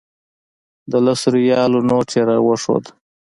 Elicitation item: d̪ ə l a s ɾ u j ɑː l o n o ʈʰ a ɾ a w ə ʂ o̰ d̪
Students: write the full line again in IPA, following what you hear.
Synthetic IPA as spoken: d̪ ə l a s ɾ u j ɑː l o n o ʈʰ e ɾ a w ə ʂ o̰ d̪